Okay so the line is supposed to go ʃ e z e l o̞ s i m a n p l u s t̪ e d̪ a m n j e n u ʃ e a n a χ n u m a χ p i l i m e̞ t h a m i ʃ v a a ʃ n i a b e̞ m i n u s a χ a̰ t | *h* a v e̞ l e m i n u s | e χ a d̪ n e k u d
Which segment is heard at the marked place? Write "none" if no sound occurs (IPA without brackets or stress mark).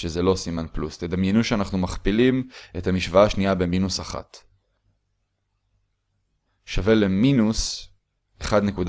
ʃ